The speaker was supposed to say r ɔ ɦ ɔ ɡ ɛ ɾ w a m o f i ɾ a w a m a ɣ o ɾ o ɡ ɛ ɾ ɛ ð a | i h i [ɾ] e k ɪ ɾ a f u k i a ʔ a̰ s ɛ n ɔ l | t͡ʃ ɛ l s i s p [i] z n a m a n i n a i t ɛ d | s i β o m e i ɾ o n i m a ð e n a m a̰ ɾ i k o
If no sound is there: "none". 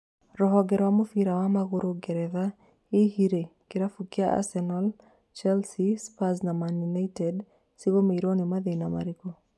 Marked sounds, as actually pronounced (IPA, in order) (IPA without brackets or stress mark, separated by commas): ɾ, a